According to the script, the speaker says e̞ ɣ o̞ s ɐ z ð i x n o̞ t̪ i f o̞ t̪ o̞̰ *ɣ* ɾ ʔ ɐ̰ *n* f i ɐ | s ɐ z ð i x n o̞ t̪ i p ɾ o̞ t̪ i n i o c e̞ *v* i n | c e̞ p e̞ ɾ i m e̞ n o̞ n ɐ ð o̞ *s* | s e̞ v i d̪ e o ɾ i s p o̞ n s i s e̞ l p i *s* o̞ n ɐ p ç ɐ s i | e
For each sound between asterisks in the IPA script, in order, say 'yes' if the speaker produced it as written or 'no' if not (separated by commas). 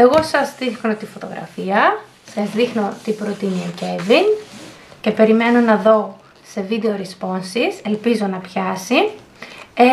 yes, no, yes, no, no